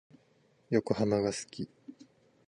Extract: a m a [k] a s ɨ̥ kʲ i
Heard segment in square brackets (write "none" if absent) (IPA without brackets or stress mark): ɡ